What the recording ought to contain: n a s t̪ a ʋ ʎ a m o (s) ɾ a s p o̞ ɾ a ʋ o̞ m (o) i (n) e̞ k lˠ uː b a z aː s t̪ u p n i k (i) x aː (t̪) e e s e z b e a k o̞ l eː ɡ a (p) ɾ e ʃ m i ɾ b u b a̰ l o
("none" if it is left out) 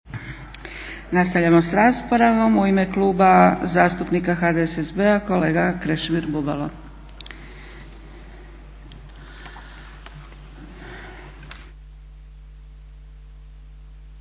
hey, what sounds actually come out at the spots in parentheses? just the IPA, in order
s, u, m, a, d̪, k

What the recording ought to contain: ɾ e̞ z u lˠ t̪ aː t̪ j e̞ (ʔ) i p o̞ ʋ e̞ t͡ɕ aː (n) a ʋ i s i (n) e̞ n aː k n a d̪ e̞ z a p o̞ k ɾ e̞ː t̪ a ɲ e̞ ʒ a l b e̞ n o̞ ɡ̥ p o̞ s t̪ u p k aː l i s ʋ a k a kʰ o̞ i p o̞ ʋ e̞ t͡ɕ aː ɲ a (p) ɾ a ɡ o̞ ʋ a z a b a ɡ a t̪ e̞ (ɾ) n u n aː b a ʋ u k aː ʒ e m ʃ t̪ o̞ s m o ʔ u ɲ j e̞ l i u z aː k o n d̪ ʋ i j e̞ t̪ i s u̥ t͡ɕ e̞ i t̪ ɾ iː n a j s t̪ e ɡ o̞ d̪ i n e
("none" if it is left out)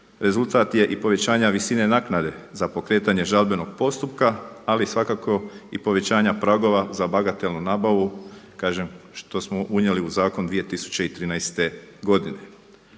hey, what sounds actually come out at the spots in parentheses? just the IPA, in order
ʔ, ɲ, n, p, l

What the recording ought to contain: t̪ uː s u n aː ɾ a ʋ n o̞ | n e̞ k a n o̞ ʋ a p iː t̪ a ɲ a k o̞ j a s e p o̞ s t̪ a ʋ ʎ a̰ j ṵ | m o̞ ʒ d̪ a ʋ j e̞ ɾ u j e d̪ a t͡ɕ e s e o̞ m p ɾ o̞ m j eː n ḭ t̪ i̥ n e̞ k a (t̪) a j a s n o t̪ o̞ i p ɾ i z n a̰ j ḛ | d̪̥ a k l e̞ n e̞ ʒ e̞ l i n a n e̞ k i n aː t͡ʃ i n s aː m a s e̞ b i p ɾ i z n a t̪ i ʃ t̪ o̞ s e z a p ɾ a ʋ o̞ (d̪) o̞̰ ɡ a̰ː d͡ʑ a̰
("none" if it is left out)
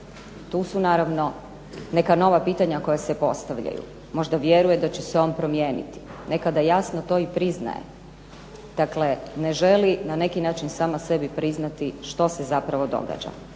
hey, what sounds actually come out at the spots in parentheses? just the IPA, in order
d̪, d̪

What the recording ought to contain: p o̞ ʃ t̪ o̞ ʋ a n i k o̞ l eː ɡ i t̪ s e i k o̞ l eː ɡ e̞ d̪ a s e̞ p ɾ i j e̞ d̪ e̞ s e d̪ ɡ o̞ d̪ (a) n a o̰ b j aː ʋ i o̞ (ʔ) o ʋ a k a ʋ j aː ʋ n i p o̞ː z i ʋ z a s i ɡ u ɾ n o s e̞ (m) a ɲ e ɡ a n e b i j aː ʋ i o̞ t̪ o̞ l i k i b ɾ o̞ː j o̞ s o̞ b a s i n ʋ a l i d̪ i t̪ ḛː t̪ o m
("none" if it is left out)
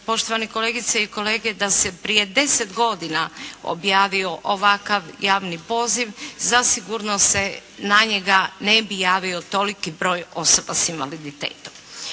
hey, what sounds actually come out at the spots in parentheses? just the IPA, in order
i, ʔ, n

